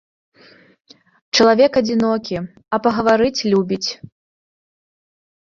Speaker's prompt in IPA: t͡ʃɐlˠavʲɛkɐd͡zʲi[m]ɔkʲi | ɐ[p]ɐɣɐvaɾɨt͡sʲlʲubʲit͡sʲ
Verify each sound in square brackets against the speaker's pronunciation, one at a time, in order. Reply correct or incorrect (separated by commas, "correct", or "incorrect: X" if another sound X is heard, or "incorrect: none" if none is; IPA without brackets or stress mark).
incorrect: n, correct